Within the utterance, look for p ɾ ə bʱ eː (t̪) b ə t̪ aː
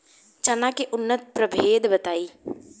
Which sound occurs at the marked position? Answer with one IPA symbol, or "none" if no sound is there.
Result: d̪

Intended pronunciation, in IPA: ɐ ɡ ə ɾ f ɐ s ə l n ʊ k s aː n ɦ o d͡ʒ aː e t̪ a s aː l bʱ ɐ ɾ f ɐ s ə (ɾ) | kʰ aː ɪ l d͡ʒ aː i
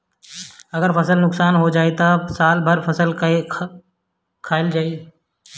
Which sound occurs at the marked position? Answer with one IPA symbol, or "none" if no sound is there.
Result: l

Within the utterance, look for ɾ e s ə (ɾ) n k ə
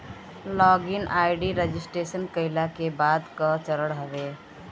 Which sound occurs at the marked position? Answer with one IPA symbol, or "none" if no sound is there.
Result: none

